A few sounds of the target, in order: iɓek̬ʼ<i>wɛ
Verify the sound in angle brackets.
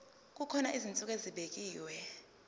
incorrect: iː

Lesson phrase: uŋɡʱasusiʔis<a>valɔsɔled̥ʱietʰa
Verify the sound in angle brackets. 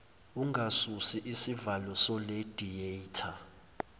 incorrect: i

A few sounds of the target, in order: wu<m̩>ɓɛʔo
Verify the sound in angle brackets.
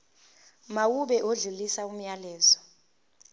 incorrect: none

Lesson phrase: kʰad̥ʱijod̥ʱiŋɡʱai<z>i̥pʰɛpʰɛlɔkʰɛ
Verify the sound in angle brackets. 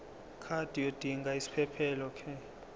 incorrect: s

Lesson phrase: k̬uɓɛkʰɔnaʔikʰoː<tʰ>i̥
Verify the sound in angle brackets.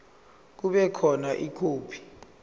incorrect: pʰ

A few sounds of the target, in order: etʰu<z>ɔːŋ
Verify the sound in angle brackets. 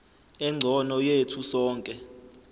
incorrect: s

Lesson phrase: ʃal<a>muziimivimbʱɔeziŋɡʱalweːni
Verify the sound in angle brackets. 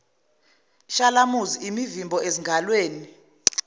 correct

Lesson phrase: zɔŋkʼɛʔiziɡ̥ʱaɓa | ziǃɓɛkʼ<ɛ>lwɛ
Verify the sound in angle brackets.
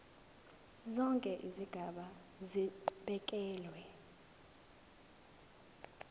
incorrect: ɛː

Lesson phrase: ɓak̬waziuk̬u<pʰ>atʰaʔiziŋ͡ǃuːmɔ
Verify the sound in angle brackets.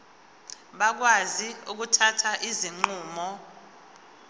incorrect: tʰ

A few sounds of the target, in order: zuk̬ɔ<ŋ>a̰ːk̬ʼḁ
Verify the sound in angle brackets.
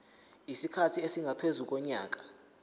incorrect: ɲ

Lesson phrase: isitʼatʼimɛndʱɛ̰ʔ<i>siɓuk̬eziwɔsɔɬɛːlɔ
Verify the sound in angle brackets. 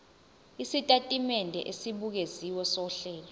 incorrect: e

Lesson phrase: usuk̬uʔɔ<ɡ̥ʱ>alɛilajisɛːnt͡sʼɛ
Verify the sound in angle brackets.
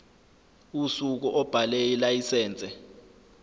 incorrect: b̥ʱ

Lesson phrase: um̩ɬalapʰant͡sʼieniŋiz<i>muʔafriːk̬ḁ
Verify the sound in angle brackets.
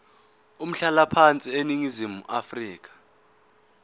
correct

